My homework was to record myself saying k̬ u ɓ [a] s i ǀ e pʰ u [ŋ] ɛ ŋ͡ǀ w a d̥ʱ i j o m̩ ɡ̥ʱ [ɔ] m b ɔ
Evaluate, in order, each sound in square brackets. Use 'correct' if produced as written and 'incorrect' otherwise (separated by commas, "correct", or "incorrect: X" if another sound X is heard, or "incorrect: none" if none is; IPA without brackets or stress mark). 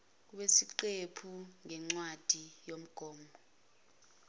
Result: incorrect: e, correct, incorrect: ɔː